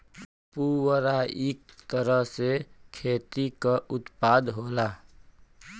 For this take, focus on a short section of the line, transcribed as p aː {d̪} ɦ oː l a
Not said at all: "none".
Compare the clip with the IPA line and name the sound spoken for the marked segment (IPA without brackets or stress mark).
d̪